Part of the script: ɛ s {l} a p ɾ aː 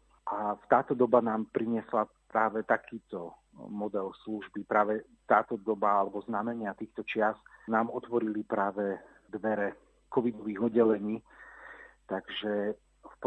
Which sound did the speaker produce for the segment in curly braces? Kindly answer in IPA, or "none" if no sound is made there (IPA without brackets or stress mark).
l